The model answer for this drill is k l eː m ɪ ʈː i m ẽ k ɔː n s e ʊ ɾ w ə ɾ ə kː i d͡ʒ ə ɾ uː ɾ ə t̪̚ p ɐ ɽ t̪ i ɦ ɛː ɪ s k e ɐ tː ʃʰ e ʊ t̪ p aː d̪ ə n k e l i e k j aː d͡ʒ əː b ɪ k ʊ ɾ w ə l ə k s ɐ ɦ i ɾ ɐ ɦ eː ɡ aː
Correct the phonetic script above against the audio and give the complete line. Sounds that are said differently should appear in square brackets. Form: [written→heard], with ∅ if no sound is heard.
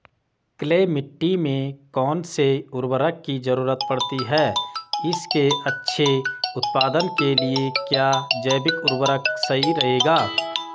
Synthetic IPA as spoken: k l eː m ɪ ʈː i m ẽ k ɔː n s e ʊ ɾ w ə ɾ ə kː i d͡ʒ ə ɾ uː ɾ ə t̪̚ p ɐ ɽ t̪ i ɦ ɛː ɪ s k e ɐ tː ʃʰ e ʊ t̪ p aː d̪ ə n k e l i e k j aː d͡ʒ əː b ɪ k ʊ ɾ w ə [l→ɾ] ə k s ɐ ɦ i ɾ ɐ ɦ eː ɡ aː